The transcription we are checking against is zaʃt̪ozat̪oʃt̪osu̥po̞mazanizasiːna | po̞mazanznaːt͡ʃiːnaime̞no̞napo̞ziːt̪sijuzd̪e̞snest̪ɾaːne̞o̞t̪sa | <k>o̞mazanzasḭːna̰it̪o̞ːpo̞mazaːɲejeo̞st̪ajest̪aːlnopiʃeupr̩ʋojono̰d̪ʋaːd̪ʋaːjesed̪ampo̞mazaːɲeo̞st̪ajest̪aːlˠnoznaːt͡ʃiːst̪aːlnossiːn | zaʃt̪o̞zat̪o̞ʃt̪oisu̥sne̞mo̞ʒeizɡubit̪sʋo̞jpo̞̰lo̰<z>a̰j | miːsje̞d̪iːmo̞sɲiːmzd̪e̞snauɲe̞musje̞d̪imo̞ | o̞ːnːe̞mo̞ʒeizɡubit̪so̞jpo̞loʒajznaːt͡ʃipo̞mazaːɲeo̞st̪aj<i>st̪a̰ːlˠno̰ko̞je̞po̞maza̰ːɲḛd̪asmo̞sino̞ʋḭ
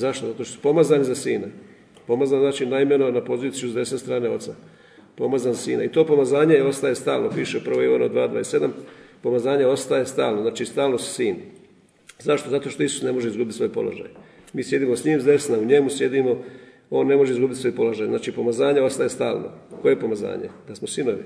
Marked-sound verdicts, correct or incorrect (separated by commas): incorrect, incorrect, incorrect